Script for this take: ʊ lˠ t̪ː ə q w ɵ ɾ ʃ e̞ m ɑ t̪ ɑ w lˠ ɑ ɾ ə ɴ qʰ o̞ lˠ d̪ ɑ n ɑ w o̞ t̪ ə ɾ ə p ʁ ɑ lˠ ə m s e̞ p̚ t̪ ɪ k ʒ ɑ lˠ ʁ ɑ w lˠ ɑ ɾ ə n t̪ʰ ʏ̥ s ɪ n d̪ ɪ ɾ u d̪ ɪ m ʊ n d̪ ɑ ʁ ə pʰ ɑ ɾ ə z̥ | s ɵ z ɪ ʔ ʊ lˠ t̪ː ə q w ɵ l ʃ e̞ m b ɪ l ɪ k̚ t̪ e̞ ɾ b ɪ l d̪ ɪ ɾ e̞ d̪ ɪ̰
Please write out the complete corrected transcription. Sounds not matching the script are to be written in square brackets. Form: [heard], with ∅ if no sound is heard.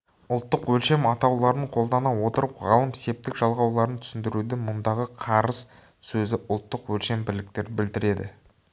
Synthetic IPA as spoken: ʊ lˠ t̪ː ə q w ɵ [l] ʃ e̞ m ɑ t̪ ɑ w lˠ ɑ ɾ ə ɴ qʰ o̞ lˠ d̪ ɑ n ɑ w o̞ t̪ ə ɾ ə p ʁ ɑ lˠ ə m s e̞ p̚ t̪ ɪ k ʒ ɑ lˠ ʁ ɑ w lˠ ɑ ɾ ə n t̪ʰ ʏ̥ s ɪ n d̪ ɪ ɾ u d̪ ɪ m ʊ n d̪ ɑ ʁ ə [qʰ] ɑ ɾ ə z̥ | s ɵ z ɪ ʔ ʊ lˠ t̪ː ə q w ɵ l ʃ e̞ m b ɪ l ɪ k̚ t̪ e̞ ɾ b ɪ l d̪ ɪ ɾ e̞ d̪ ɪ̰

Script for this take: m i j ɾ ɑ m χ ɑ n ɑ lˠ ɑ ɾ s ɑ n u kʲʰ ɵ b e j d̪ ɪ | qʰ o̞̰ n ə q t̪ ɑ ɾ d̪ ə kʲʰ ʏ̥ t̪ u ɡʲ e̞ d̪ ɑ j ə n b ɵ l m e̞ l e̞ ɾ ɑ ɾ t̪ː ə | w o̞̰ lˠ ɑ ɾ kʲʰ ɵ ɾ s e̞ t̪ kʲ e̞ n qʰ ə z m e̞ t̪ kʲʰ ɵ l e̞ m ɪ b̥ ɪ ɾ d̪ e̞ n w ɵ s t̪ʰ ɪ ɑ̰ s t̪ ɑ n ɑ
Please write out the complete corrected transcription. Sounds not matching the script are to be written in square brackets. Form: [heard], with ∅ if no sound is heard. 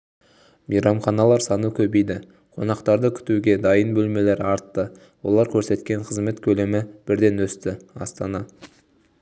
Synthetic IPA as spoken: m i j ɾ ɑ m χ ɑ n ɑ lˠ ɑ ɾ s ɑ n u kʲʰ ɵ b e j d̪ ɪ | qʰ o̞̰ n [ɑ] q t̪ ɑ ɾ d̪ ə kʲʰ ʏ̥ t̪ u ɡʲ e̞ d̪ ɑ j ə n b ɵ l m e̞ l e̞ ɾ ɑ ɾ t̪ː ə | w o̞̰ lˠ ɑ ɾ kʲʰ ɵ ɾ s e̞ t̪ kʲ e̞ [ɴ] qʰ ə z m e̞ t̪ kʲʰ ɵ l e̞ m ɪ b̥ ɪ ɾ d̪ e̞ n w ɵ s [t̪] ɪ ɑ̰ s t̪ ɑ n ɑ

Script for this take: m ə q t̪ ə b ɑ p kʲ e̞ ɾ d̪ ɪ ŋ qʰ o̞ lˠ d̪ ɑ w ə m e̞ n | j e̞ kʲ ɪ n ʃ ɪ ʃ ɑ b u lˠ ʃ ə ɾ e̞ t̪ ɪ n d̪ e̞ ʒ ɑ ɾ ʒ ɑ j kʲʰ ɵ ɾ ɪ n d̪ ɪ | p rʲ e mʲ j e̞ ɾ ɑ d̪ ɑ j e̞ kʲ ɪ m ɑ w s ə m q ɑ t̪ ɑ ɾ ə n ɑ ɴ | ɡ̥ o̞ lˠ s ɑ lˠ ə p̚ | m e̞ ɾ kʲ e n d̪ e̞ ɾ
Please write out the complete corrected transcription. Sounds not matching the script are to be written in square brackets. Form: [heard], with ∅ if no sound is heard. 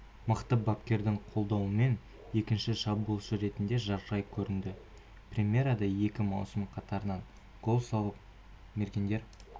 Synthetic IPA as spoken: m ə q t̪ ə b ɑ p kʲ e̞ ɾ d̪ ɪ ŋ qʰ o̞ lˠ d̪ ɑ w ə m e̞ n | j e̞ kʲ ɪ n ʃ ɪ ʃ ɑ b u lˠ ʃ ə ɾ e̞ t̪ ɪ n d̪ e̞ ʒ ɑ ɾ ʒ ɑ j kʲʰ ɵ ɾ ɪ n d̪ ɪ | p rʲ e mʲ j e̞ ɾ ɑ d̪ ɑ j e̞ kʲ ɪ m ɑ w s ə m [qʰ] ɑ t̪ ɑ ɾ ə n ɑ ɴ | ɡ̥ o̞ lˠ s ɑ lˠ ə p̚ | m e̞ ɾ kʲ e n d̪ e̞ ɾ

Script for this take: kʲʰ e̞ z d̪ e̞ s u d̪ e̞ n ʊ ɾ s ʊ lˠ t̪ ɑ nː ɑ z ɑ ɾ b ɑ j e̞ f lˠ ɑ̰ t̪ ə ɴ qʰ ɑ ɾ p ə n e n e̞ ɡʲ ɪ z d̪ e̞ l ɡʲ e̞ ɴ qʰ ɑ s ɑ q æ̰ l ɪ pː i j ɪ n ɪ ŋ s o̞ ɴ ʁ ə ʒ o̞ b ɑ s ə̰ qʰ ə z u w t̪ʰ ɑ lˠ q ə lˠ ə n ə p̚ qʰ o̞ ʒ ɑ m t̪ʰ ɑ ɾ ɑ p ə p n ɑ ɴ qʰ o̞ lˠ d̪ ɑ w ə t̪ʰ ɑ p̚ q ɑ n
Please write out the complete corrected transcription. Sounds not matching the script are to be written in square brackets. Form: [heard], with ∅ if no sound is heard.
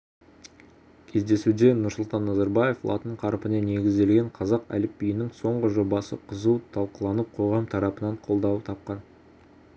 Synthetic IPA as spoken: kʲʰ e̞ z d̪ e̞ s u d̪ e̞ n ʊ ɾ s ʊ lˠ t̪ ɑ nː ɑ z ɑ ɾ b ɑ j e̞ f lˠ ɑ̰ t̪ ə ɴ qʰ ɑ ɾ p ə n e n e̞ ɡʲ ɪ z d̪ e̞ l ɡʲ e̞ ɴ qʰ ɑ [z] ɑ q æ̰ l ɪ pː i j ɪ n ɪ ŋ s o̞ ɴ ʁ ə ʒ o̞ b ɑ s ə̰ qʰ ə z u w t̪ʰ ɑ lˠ q ə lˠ [ɑ] n ə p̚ qʰ o̞ [ʁ] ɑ m t̪ʰ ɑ ɾ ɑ p ə [∅] n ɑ ɴ qʰ o̞ lˠ d̪ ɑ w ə t̪ʰ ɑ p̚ q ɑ n

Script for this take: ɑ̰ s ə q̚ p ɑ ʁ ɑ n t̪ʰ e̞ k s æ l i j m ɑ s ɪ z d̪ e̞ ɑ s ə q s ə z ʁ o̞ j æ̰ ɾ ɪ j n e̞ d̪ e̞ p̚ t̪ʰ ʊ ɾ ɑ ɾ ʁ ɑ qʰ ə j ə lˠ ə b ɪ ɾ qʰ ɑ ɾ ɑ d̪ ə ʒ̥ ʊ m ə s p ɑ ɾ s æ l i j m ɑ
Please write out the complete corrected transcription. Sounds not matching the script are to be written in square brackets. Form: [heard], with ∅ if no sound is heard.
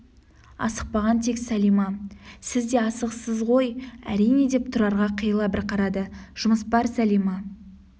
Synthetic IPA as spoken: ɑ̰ s ə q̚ p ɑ ʁ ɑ n t̪ʰ e̞ k s æ l i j m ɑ s ɪ z d̪ e̞ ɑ s ə q s ə z ʁ o̞ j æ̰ ɾ [i] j n e̞ d̪ e̞ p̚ t̪ʰ ʊ ɾ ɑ ɾ ʁ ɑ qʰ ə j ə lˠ [ɑ] b ɪ ɾ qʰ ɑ ɾ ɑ d̪ ə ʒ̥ ʊ m ə s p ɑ ɾ s æ l i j m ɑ

